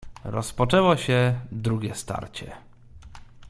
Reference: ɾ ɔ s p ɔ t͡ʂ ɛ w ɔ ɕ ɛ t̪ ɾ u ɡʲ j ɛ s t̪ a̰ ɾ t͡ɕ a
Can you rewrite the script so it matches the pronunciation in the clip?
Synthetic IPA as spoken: ɾ ɔ s p ɔ t͡ʂ ɛ w ɔ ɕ ɛ d̪ ɾ u ɡʲ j ɛ s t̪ a̰ ɾ t͡ɕ ɛ